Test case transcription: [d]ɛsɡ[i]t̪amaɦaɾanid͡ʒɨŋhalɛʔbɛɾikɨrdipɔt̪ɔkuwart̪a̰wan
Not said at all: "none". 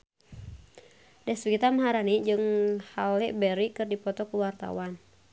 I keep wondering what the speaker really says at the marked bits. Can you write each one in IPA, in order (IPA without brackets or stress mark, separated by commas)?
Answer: d, i